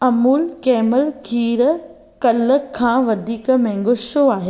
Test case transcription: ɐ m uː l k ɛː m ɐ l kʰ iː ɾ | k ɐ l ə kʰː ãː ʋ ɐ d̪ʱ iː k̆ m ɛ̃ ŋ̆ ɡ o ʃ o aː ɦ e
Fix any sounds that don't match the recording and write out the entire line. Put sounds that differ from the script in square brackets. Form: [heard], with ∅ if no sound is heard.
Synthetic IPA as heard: ɐ m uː l k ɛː m [ə] l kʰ iː ɾ | k ɐ l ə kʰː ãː ʋ ɐ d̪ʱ iː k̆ m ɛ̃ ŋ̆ ɡ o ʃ o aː ɦ e